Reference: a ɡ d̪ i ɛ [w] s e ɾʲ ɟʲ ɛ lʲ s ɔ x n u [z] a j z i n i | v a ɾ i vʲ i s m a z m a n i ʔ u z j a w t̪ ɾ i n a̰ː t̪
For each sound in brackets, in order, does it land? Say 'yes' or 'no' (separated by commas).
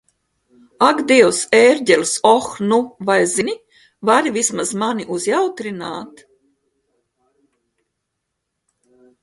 yes, no